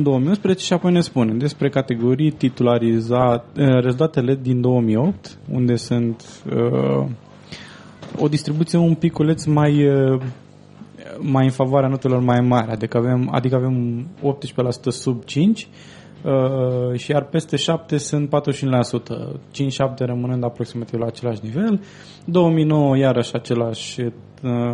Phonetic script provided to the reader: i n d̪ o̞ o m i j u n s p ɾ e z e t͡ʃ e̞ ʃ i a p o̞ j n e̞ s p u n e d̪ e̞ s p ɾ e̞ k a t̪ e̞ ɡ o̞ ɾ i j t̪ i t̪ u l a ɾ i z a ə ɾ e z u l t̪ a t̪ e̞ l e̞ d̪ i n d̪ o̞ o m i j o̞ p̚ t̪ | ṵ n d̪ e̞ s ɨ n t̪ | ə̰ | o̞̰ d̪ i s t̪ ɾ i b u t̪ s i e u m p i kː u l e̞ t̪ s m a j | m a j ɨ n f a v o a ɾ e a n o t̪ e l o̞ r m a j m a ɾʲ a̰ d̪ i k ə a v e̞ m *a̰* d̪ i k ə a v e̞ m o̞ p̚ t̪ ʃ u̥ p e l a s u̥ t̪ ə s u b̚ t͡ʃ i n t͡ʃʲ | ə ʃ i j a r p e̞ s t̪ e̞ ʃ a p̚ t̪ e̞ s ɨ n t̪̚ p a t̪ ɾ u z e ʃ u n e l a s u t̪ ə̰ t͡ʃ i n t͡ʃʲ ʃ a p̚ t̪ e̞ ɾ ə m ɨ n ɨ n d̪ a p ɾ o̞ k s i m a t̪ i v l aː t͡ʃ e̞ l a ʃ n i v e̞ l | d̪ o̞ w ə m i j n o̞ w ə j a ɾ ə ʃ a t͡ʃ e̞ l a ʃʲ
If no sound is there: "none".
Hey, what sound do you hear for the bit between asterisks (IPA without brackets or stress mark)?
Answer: a̰